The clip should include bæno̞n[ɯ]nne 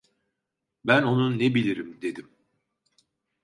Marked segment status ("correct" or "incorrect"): incorrect